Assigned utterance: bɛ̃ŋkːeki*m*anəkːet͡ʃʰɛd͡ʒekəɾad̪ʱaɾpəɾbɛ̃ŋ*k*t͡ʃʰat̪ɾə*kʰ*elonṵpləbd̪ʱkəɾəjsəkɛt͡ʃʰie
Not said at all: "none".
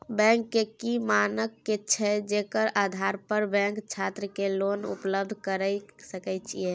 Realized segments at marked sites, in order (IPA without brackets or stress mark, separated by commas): m, k, k